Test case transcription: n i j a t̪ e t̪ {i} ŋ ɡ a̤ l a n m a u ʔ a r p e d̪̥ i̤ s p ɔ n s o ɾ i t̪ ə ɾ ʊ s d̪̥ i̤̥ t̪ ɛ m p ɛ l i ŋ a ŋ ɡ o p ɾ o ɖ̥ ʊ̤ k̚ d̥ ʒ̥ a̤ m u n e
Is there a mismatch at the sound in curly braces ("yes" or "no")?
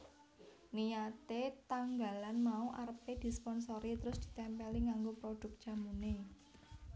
yes